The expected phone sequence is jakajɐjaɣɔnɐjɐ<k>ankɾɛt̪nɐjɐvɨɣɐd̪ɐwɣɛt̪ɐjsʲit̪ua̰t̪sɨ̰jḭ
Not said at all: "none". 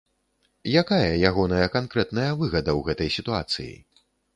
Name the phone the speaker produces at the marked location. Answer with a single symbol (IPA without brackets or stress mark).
k